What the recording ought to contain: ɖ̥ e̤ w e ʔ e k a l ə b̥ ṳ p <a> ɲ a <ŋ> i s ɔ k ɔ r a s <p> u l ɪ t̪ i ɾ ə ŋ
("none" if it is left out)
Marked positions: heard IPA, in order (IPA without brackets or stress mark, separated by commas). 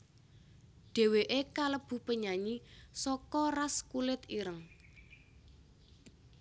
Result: ə, ɲ, k